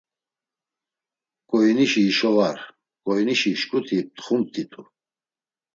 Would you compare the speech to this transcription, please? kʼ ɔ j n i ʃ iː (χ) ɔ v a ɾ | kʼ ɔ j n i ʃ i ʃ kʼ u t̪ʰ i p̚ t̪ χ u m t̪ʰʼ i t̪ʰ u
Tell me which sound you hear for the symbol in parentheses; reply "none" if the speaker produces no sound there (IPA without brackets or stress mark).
ʃ